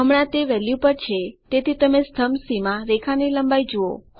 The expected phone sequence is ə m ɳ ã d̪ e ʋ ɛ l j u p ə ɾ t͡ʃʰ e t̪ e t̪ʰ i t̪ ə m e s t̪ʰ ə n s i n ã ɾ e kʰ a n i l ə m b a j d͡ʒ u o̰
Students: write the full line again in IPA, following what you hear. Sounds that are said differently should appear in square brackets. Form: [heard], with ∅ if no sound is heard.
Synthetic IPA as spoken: ə m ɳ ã [t̪] e ʋ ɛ l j u p ə ɾ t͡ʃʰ e t̪ e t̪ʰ i t̪ ə m e s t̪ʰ ə [m] s i [m] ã ɾ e kʰ a n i l ə m b a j d͡ʒ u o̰